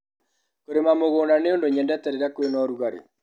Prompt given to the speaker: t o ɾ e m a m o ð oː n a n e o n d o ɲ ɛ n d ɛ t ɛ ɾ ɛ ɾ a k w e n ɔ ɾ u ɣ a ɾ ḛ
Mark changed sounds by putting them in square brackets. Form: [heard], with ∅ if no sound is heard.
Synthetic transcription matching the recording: [k] o ɾ e m a m o [ɣ] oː n a n e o n d o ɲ ɛ n d ɛ t ɛ ɾ [e] ɾ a k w e n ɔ ɾ u ɣ a ɾ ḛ

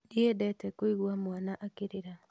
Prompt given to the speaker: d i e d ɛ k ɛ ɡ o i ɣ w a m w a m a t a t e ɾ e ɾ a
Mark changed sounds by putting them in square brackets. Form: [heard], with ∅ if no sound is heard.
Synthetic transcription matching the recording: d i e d ɛ [t] ɛ [k] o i ɣ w a m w a [n] a [ʔ] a [k] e ɾ e ɾ a

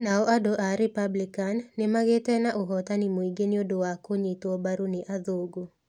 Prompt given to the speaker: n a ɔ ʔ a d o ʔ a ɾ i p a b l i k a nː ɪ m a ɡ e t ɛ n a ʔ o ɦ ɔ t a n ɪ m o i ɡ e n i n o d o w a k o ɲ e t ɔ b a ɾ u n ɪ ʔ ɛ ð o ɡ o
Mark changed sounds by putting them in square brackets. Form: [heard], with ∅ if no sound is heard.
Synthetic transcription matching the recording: n a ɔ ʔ a d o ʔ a ɾ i p a b l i k a nː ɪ m a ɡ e t ɛ n a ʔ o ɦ ɔ t a n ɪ m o i ɡ e n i [∅] o d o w a k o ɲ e t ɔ b a ɾ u n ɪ ʔ [a] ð o ɡ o

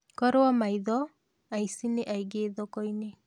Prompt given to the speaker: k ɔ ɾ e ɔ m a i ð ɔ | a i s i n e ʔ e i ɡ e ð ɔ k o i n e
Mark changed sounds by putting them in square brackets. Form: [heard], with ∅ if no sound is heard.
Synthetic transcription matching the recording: k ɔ ɾ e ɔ m a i ð ɔ | a i s i n e ʔ [a] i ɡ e ð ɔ k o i n e

